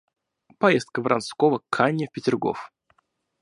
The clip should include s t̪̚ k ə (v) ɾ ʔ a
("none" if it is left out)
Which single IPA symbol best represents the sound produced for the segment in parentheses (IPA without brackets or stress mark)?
v